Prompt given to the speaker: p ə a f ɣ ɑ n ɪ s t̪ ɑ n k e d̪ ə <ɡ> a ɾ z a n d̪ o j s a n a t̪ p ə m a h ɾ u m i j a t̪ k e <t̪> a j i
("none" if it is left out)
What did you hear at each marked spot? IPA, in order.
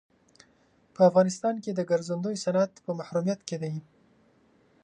ɡ, d̪

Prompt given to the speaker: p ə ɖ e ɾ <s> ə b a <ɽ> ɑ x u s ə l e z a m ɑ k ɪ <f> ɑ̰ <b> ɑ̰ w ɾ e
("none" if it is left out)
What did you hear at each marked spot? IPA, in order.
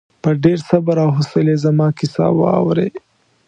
s, ɾ, s, w

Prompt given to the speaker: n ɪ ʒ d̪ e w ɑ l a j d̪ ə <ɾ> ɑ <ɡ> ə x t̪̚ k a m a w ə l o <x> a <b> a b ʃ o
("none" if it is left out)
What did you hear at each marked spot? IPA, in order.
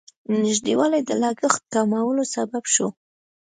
l, ɡ, s, b

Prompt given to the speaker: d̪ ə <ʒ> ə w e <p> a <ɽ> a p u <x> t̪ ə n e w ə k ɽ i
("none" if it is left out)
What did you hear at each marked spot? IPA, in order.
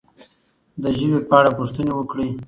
ʒ, p, ɽ, ʂ

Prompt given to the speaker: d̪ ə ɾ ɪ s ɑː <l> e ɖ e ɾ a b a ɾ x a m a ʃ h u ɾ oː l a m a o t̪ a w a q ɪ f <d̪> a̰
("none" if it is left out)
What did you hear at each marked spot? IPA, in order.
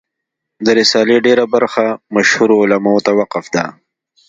l, d̪

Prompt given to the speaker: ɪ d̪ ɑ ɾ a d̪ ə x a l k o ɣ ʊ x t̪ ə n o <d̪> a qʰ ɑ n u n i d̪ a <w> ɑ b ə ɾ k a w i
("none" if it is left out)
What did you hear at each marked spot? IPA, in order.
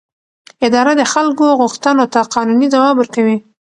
t̪, w

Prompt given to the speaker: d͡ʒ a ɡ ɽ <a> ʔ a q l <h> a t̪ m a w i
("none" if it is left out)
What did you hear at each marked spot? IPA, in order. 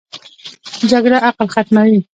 a, x

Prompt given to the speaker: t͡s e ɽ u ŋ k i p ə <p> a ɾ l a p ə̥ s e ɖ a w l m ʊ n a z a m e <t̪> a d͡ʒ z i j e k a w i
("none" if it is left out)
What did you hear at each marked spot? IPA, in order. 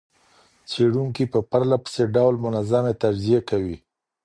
p, t̪

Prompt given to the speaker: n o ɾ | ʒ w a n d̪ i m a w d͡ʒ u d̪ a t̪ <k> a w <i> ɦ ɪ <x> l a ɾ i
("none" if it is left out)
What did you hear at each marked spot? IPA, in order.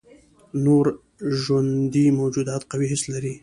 q, i, s

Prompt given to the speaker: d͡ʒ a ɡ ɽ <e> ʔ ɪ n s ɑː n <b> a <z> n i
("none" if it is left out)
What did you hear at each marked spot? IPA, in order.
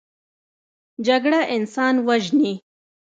a, w, ʒ

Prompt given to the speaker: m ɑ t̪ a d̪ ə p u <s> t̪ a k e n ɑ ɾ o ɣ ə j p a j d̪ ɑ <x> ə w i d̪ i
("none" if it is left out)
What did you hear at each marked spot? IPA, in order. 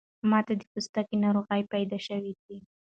s, ʃ

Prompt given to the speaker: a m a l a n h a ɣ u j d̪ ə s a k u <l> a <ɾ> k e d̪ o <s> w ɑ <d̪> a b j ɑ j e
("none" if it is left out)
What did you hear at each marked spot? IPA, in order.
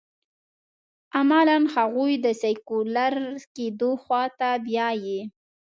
l, ɾ, x, t̪

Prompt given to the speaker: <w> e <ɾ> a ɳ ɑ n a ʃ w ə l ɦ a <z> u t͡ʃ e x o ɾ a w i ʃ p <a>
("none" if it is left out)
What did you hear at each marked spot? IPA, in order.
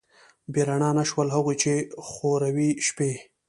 b, ɾ, ɣ, e

